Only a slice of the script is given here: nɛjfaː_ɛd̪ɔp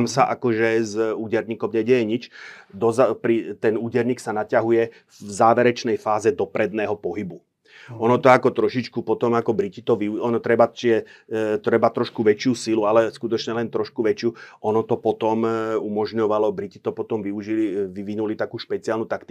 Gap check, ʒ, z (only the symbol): z